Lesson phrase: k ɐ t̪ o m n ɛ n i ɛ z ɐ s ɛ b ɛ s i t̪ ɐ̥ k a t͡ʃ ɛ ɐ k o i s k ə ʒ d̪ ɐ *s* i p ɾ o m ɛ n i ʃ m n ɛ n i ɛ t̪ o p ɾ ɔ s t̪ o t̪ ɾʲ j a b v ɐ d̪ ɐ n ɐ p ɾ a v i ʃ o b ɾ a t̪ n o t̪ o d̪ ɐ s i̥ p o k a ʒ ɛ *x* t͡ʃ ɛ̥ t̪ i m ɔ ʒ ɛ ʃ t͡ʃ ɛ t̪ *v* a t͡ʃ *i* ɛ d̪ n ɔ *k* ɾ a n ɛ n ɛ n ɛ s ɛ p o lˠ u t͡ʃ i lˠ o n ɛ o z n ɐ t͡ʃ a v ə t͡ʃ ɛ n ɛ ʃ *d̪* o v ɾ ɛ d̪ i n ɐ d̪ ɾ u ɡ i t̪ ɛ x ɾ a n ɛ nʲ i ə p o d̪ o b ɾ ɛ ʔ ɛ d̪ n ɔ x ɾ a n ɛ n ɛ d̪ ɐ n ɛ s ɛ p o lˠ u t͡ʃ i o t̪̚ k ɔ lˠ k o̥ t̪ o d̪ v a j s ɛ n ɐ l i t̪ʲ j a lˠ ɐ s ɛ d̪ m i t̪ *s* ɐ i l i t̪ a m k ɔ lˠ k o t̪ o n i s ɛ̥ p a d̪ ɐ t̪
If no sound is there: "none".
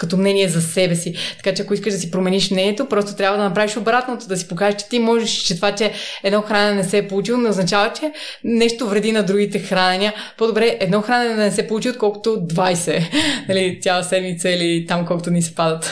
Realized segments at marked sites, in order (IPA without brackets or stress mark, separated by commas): s, ʃ, v, ɛ, x, t̪, s